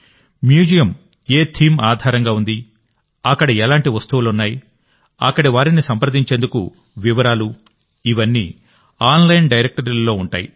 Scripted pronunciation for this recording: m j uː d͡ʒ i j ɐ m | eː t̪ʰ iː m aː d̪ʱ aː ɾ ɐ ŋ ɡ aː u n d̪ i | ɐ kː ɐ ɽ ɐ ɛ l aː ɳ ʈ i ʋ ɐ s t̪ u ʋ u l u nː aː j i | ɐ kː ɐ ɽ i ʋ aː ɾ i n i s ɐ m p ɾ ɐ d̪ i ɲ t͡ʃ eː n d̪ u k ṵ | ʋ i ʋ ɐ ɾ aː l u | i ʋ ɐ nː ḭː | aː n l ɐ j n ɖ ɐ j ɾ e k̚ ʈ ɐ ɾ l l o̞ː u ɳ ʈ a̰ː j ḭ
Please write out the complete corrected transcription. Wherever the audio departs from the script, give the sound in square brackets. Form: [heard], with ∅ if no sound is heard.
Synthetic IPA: m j uː d͡ʒ i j ɐ m | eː t̪ʰ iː m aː d̪ʱ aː ɾ ɐ ŋ ɡ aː u n d̪ i | ɐ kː ɐ ɽ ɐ ɛ l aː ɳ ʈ i ʋ ɐ s t̪ u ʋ u l u nː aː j i | ɐ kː ɐ ɽ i ʋ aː ɾ i n i s ɐ m p ɾ ɐ d̪ i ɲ t͡ʃ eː n d̪ u k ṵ | ʋ i ʋ ɐ ɾ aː l u | i ʋ ɐ nː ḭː | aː n l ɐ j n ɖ ɐ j ɾ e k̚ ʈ ɐ ɾ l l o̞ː u ɳ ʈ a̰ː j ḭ

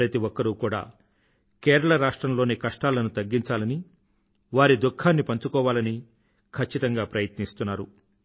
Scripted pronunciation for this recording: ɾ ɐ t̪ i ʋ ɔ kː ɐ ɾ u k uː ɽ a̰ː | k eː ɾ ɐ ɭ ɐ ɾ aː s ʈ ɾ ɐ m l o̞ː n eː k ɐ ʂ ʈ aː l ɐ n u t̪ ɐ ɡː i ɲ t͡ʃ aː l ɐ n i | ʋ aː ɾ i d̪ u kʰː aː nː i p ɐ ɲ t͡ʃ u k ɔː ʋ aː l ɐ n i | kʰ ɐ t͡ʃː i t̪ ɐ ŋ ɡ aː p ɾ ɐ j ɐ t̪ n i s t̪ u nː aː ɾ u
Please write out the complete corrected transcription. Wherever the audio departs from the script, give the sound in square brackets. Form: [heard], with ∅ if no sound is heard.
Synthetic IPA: ɾ ɐ t̪ i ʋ ɔ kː ɐ ɾ u k uː ɽ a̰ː | k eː ɾ ɐ ɭ ɐ ɾ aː [ʂ] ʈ ɾ ɐ m l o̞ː n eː k ɐ ʂ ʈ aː l ɐ n u t̪ ɐ ɡː i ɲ t͡ʃ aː l ɐ n i | ʋ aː ɾ i d̪ u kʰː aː nː i p ɐ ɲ t͡ʃ u k ɔː ʋ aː l ɐ n i | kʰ ɐ t͡ʃː i t̪ ɐ ŋ ɡ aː p ɾ ɐ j ɐ t̪ n i s t̪ u nː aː ɾ u

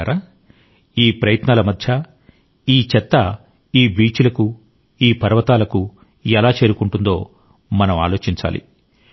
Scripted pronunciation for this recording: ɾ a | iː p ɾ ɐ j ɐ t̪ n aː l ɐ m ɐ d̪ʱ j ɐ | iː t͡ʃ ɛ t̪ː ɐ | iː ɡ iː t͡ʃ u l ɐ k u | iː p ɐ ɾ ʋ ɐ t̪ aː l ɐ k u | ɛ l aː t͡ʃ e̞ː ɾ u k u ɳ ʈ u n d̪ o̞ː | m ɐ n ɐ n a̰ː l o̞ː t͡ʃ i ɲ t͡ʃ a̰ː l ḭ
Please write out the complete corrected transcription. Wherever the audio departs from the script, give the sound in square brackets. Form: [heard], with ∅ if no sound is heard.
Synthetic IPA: ɾ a | iː p ɾ ɐ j ɐ t̪ n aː l ɐ m ɐ d̪ʱ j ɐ | iː t͡ʃ ɛ t̪ː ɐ | iː [b] iː t͡ʃ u l ɐ k u | iː p ɐ ɾ ʋ ɐ t̪ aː l ɐ k u | ɛ l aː t͡ʃ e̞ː ɾ u k u ɳ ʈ u n d̪ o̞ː | m ɐ n ɐ [m] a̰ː l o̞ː t͡ʃ i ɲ t͡ʃ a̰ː l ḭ

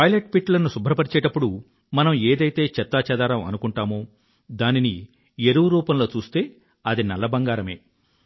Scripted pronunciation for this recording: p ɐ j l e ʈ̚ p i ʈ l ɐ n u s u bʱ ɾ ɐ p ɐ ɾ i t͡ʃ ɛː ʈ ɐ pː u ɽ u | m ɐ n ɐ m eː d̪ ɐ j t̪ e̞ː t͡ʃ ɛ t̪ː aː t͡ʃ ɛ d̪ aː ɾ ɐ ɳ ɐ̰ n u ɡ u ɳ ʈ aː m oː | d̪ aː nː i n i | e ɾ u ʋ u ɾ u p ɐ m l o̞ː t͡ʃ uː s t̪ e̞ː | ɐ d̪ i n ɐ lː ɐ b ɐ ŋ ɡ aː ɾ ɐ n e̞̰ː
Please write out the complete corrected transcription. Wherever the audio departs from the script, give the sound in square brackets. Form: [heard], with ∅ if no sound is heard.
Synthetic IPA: p ɐ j l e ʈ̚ p i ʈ l ɐ n u s u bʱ ɾ ɐ p ɐ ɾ i t͡ʃ ɛː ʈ ɐ pː u ɽ u | m ɐ n ɐ m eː d̪ ɐ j t̪ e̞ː t͡ʃ ɛ t̪ː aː t͡ʃ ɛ d̪ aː ɾ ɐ [m] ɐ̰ n u [k] u ɳ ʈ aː m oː | d̪ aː [n] i n i | e ɾ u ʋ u ɾ [uː] p ɐ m l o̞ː t͡ʃ uː s t̪ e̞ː | ɐ d̪ i n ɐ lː ɐ b ɐ ŋ ɡ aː ɾ ɐ [m] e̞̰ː

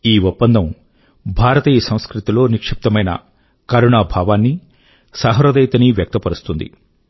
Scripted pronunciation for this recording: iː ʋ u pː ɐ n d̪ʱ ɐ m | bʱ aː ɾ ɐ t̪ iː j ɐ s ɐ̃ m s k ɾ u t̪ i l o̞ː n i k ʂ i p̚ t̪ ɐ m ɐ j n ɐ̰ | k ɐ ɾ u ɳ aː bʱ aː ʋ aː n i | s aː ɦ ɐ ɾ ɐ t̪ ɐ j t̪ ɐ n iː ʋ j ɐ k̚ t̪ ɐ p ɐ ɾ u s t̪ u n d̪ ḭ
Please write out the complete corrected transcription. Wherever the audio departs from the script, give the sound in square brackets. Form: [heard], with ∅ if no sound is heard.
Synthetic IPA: iː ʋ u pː ɐ n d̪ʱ ɐ m | bʱ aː ɾ ɐ t̪ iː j ɐ s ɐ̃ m s k ɾ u t̪ i l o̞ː n i k ʂ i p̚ t̪ ɐ m ɐ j n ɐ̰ | k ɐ ɾ u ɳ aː bʱ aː ʋ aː [nː] i | s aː ɦ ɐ ɾ ɐ [d̪] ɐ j t̪ ɐ n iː ʋ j ɐ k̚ t̪ ɐ p ɐ ɾ u s t̪ u n d̪ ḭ

